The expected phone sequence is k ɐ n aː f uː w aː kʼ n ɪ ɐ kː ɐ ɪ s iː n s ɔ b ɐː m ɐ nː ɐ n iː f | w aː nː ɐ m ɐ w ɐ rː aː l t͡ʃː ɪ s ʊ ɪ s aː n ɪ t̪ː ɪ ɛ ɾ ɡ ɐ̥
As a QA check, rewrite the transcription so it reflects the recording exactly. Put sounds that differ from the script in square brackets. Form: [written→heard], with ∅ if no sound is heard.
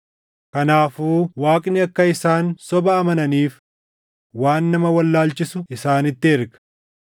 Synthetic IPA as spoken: k ɐ n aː f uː w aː kʼ n ɪ ɐ kː ɐ ɪ s [iː→aː] n s ɔ b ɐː m ɐ [nː→n] ɐ n iː f | w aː nː ɐ m ɐ w ɐ [rː→lː] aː l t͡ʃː ɪ s ʊ ɪ s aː n ɪ t̪ː ɪ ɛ ɾ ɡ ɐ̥